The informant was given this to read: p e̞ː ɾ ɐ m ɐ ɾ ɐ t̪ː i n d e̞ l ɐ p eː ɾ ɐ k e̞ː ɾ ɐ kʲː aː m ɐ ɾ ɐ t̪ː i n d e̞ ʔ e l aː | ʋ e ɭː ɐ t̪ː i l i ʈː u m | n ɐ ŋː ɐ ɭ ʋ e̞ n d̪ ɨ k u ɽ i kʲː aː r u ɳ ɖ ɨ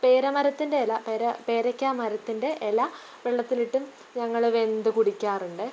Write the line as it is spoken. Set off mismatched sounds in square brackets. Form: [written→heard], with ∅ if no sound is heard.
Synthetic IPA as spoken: p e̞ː ɾ ɐ m ɐ ɾ ɐ t̪ː i n d e̞ l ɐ p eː ɾ ɐ [k→p] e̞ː ɾ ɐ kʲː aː m ɐ ɾ ɐ t̪ː i n d e̞ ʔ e l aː | ʋ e ɭː ɐ t̪ː i l i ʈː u m | [n→ɲ] ɐ ŋː ɐ ɭ ʋ e̞ n d̪ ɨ k u ɽ i kʲː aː r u ɳ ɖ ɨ